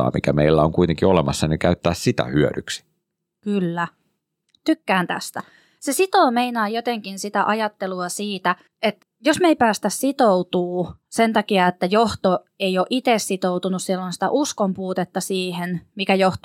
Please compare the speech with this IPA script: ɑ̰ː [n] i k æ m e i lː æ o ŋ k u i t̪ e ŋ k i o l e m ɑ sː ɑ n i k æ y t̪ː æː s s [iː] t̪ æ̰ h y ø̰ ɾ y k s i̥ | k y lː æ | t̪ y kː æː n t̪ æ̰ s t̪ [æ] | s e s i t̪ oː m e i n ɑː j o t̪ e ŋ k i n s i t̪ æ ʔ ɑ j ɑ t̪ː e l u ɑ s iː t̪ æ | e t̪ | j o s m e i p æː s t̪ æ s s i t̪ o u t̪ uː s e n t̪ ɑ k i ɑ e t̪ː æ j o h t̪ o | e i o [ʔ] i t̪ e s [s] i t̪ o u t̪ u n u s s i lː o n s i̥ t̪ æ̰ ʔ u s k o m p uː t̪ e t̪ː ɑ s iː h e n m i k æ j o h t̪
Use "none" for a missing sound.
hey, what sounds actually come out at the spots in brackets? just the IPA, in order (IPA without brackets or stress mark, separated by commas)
m, i, æ, ʔ, s